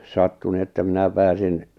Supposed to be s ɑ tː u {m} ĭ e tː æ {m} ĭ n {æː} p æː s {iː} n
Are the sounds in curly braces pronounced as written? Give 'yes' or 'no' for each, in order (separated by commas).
no, yes, no, no